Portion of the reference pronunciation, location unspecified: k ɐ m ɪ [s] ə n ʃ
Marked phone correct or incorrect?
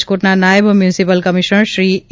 incorrect